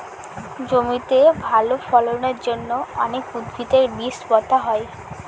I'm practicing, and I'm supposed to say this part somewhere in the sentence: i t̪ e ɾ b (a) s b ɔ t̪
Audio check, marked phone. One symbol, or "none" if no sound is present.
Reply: i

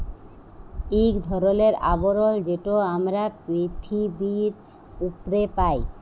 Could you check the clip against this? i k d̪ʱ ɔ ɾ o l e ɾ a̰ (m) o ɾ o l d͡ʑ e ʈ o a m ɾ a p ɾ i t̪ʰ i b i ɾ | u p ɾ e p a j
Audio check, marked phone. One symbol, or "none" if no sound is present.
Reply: b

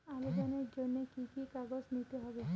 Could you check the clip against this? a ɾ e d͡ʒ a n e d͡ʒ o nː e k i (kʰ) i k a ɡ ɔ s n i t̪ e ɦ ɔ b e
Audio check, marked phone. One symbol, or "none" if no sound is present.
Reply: k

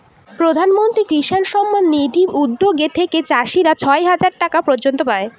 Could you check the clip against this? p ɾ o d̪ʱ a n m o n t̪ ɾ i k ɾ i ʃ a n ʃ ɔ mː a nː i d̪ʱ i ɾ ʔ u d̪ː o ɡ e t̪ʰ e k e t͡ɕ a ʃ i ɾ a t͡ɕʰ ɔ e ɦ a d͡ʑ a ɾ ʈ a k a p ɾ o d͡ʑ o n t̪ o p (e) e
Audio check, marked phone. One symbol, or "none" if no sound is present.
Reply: a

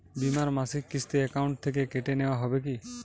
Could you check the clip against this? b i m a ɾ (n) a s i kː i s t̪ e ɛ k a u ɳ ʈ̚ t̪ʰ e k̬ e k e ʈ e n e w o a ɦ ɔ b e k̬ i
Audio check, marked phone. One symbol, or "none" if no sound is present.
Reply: m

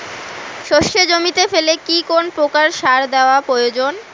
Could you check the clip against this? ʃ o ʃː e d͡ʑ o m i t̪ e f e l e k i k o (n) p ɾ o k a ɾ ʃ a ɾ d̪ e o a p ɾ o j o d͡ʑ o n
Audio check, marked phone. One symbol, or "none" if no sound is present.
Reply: n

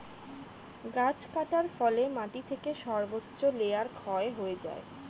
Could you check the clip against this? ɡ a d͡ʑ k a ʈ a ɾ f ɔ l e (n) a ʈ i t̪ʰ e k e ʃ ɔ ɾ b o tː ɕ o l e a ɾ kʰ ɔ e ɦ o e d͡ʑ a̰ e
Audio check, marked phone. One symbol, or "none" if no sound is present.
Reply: m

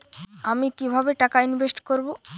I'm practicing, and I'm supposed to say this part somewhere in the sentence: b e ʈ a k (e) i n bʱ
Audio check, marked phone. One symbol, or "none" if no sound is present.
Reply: a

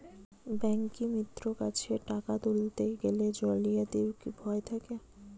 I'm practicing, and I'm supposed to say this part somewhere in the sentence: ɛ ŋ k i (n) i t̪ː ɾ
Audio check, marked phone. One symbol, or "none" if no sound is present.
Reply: m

